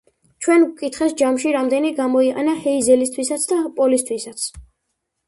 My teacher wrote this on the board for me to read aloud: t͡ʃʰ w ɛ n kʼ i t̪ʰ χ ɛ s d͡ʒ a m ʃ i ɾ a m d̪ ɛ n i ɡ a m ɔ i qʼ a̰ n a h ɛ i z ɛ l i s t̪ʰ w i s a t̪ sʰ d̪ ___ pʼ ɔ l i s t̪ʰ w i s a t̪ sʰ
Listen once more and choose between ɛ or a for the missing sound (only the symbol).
a